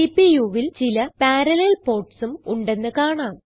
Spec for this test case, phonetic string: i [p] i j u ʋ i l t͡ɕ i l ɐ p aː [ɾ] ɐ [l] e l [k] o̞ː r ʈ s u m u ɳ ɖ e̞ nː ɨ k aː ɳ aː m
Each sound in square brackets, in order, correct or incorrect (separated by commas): correct, correct, correct, incorrect